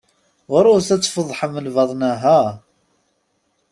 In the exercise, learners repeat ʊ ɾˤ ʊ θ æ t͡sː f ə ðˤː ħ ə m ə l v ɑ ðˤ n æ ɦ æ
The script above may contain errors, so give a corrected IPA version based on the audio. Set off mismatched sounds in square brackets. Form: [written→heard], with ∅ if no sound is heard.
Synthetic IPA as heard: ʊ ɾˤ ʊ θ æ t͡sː f ə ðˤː ħ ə m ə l v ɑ ðˤ n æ ɦ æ

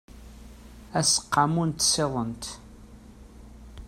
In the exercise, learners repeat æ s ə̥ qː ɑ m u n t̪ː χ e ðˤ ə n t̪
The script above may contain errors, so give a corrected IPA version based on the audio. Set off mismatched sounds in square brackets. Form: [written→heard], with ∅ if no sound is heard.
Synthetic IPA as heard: æ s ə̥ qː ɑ m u n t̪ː [χ→s] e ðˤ ə n t̪

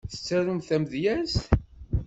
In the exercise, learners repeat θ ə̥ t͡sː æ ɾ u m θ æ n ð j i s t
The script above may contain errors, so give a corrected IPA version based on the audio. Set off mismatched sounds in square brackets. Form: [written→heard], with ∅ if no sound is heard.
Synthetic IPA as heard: θ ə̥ t͡sː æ ɾ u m θ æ [n→m] ð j [i→æ] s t

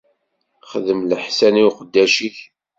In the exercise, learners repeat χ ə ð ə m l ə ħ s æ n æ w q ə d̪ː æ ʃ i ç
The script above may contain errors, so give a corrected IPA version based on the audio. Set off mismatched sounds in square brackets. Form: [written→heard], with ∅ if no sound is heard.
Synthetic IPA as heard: χ ə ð ə m l ə ħ s æ n [æ→i] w q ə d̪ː æ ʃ i ç

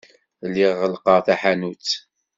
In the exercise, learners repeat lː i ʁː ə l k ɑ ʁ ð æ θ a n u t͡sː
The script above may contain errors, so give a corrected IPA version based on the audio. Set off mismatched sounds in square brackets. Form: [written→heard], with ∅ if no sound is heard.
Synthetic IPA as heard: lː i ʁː ə l [k→q] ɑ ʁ [ð→θ] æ [θ→ħ] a n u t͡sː

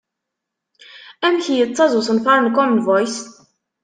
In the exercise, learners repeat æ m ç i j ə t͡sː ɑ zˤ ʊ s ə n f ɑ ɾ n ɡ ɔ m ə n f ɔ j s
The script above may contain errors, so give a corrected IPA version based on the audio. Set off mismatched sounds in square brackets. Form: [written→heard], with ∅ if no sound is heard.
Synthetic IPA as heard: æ m ç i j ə t͡sː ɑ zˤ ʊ s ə n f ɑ ɾ n [ɡ→k] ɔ m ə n [f→v] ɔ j s

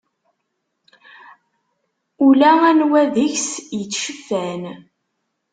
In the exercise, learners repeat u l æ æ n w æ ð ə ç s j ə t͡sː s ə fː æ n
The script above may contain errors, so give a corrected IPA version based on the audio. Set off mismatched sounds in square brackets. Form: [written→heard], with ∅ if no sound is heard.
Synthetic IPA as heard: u l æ æ n w æ ð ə ç s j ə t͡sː [s→ʃ] ə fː æ n

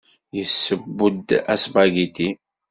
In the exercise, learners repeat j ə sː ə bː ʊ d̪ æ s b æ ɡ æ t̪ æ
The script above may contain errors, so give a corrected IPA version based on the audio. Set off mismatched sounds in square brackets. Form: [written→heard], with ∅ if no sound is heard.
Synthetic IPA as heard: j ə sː ə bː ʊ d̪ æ s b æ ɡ [æ→i] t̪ [æ→i]

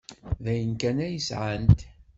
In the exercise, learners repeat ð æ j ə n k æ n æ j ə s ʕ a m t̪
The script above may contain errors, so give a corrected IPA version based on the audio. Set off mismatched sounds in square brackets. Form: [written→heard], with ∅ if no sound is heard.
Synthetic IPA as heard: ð æ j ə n k æ n æ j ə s ʕ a [m→n] t̪

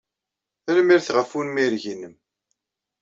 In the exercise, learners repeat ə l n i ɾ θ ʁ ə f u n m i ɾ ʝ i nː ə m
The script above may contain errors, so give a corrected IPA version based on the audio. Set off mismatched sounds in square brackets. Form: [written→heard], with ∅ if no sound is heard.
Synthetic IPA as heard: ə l [n→m] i ɾ θ ʁ ə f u n m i ɾ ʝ i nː ə m

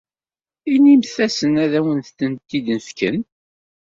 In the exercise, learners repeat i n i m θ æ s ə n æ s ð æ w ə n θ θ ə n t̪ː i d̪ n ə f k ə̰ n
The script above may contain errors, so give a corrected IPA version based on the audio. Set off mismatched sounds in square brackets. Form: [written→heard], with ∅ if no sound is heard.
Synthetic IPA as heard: i n i m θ æ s ə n æ [s→∅] ð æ w ə n θ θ ə n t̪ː i d̪ n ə f k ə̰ n

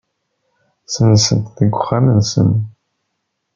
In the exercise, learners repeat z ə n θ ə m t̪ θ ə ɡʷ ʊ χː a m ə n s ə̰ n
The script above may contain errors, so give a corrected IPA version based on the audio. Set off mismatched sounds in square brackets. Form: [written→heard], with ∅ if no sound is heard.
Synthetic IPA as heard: [z→s] ə n [θ→s] ə [m→n] t̪ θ ə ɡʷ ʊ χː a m ə n s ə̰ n

